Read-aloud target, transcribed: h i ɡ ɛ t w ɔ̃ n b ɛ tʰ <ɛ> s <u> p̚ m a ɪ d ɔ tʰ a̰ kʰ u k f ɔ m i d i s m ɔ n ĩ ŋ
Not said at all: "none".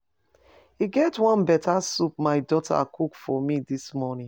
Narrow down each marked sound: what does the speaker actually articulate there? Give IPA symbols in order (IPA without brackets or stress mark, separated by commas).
a, u